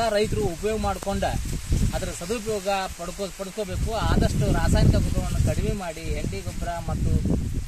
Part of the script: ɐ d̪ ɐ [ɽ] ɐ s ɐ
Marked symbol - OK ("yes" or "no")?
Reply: no